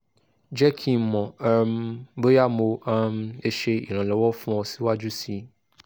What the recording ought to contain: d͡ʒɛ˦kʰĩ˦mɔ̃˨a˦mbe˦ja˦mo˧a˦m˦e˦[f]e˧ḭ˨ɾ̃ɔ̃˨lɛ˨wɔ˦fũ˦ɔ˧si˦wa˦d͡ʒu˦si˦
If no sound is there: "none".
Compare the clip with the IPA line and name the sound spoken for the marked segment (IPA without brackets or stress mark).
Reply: ʃ